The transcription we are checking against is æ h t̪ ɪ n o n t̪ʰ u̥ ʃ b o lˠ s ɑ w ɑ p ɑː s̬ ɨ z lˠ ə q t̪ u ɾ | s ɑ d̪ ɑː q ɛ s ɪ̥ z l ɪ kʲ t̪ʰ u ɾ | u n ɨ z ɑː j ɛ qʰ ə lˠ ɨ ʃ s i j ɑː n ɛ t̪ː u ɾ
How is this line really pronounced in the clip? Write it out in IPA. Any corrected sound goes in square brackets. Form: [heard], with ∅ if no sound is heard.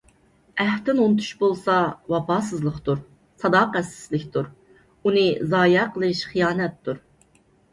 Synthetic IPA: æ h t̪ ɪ n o n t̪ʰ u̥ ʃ b o lˠ s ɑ w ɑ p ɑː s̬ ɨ z lˠ ə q t̪ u ɾ | s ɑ d̪ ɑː q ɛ s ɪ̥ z l ɪ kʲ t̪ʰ u ɾ | u n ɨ z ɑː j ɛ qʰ ə lˠ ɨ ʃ [χ] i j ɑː n ɛ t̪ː u ɾ